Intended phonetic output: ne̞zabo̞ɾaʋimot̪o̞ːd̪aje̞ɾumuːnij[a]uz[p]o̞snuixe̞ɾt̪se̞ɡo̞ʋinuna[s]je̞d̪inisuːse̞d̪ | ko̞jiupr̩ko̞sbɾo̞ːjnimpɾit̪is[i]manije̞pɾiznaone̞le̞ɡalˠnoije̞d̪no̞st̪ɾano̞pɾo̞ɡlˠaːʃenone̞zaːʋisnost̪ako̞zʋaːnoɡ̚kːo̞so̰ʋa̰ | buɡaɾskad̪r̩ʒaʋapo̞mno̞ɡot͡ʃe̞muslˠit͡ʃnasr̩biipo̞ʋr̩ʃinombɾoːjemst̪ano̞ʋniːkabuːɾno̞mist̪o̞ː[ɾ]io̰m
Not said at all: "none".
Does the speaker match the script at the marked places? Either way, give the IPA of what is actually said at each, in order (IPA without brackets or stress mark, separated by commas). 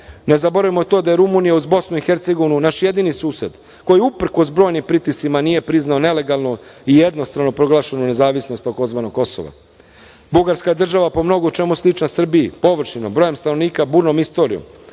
a, b, ʃ, i, ɾ